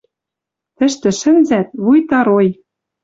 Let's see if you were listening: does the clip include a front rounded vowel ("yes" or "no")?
no